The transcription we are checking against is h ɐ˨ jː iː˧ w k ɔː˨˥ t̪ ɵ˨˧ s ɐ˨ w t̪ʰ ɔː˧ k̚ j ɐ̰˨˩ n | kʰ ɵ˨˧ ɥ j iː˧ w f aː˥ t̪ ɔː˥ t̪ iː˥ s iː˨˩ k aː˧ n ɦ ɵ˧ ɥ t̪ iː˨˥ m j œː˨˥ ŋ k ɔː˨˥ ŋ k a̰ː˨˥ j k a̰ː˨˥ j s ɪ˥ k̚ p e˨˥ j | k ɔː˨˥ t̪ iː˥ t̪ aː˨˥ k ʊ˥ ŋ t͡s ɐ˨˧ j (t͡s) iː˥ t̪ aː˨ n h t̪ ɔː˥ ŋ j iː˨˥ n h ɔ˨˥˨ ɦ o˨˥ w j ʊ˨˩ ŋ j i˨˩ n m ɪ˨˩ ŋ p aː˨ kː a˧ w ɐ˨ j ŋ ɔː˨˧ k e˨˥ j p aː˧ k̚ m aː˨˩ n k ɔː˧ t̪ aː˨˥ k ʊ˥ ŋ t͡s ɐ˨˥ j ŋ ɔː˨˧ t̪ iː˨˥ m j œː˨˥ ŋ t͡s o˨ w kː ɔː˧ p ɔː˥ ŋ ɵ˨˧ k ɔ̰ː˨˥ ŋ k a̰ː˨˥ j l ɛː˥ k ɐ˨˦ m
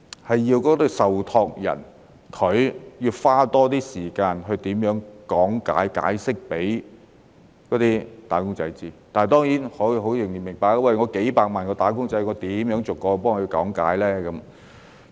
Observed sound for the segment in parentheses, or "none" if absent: t͡s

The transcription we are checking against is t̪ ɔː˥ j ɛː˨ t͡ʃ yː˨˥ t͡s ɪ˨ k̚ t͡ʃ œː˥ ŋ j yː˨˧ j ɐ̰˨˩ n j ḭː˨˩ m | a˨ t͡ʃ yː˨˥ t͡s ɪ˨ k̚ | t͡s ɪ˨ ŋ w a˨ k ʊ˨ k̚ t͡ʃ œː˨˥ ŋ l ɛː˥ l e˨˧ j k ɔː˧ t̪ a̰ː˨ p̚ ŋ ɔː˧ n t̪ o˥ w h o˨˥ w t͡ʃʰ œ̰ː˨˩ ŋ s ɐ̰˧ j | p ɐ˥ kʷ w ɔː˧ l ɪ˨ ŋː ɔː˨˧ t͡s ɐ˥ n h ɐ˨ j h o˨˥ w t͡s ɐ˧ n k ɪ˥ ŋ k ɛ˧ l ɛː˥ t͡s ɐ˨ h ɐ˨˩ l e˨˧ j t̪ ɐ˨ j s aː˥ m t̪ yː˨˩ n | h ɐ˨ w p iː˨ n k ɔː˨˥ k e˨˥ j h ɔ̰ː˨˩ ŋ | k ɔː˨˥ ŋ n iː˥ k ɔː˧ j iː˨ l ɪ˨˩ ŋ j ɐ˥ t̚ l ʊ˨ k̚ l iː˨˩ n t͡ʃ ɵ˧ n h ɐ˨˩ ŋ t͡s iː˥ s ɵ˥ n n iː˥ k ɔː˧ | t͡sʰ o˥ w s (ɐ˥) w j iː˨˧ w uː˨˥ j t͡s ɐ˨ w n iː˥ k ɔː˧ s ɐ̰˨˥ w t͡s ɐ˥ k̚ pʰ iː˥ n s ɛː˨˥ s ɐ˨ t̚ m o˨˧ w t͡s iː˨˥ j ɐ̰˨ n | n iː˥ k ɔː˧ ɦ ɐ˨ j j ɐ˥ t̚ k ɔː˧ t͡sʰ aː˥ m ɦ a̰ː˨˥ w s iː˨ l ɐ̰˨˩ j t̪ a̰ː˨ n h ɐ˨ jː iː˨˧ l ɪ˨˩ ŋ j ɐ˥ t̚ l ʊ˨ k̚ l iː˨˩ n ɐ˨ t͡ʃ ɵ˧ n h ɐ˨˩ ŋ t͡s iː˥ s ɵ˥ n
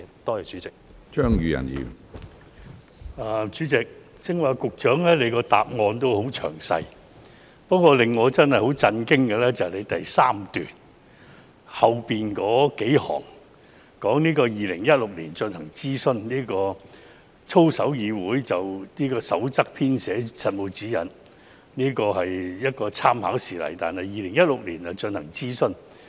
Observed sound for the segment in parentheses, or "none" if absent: ɐ˨˥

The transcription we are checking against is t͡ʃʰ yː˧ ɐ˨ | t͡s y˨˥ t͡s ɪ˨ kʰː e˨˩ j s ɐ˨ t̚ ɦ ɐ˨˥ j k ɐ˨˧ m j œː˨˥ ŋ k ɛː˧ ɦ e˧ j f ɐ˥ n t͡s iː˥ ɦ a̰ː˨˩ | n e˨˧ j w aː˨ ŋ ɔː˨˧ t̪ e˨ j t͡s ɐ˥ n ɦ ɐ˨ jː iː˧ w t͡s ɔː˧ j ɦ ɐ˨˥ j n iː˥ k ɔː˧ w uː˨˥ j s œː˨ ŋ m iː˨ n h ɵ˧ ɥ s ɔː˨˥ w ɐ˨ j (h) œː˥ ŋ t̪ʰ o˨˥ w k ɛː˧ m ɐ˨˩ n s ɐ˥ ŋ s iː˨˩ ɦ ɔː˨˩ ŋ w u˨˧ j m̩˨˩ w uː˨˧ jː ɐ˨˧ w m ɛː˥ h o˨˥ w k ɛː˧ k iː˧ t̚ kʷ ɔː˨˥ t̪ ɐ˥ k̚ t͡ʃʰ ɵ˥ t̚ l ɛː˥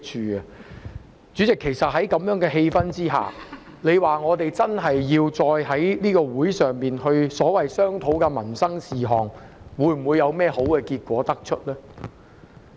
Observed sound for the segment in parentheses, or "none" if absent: s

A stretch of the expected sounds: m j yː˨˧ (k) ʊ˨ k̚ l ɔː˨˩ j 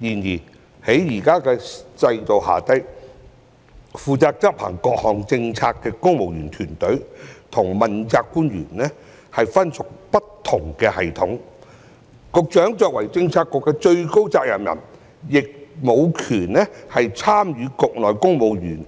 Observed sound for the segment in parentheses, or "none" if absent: k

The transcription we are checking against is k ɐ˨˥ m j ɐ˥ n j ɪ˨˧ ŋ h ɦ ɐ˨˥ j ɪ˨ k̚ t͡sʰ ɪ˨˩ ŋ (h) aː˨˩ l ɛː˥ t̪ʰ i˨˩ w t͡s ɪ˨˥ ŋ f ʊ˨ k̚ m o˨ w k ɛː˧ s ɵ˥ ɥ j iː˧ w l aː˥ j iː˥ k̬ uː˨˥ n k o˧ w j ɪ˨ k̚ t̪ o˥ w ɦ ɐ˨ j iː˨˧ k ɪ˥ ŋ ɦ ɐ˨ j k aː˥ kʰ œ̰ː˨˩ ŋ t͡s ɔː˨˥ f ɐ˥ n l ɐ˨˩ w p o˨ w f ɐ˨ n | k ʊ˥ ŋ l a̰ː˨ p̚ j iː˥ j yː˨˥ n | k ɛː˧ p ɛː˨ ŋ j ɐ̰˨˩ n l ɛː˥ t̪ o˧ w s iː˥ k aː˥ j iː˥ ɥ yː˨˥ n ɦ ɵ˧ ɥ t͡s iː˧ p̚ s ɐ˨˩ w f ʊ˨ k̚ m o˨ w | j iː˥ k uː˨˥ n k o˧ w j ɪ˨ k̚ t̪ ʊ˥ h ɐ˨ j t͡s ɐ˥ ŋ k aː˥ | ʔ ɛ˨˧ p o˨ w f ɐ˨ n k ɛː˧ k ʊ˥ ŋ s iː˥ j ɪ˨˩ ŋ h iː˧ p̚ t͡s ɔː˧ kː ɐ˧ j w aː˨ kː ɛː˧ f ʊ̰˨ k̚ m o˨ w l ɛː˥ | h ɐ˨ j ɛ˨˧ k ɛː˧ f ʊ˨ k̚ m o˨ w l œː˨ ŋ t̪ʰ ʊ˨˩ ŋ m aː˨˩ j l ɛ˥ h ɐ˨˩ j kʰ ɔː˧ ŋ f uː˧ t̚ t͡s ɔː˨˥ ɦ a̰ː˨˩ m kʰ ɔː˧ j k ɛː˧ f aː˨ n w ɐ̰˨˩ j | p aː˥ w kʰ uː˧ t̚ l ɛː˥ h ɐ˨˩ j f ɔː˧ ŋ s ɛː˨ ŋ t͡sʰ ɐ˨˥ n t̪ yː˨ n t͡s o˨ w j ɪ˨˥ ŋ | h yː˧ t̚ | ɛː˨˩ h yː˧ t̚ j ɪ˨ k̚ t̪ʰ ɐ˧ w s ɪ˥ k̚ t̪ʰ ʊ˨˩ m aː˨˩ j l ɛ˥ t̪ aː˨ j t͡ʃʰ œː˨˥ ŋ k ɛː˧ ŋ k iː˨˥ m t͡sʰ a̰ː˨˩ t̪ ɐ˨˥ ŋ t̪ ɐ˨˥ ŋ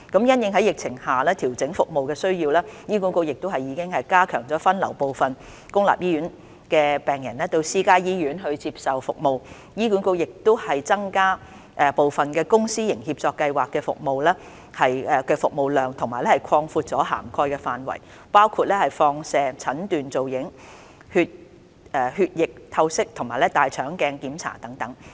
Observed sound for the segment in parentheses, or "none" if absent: h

